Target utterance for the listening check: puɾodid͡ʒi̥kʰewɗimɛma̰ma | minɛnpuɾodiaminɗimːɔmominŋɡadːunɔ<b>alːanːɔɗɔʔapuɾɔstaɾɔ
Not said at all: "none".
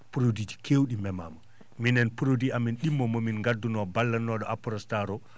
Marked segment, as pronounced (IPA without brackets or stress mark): b